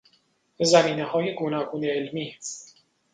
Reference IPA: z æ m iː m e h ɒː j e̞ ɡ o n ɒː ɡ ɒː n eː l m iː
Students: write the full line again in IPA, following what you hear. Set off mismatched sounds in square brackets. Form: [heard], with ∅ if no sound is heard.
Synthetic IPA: z æ m iː [n] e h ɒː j e̞ ɡ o n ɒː ɡ [uː] n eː l m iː